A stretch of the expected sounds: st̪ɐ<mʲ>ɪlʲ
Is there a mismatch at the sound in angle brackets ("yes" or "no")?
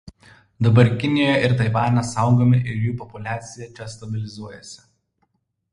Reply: yes